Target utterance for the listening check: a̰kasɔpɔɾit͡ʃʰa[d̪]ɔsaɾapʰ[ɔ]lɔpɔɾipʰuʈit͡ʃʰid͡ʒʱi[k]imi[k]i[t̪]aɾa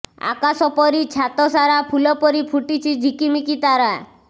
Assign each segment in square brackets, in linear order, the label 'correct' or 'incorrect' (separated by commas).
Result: incorrect, incorrect, correct, correct, correct